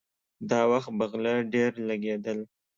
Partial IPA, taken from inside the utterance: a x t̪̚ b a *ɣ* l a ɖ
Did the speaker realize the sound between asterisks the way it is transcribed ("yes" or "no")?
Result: yes